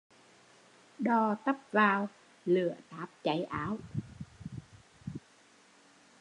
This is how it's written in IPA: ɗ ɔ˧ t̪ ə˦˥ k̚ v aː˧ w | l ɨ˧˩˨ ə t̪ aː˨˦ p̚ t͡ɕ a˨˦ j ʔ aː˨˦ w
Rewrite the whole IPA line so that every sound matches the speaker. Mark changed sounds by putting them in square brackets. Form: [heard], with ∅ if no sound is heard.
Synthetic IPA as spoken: ɗ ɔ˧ t̪ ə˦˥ [p̚] v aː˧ w | l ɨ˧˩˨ ə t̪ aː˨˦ p̚ t͡ɕ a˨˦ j ʔ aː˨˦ w